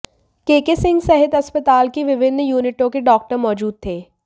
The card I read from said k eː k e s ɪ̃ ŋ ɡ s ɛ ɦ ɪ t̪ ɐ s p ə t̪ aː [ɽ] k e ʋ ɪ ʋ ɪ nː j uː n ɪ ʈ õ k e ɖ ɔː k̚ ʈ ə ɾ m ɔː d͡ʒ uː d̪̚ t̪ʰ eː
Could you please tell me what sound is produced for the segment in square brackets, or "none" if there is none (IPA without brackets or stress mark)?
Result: l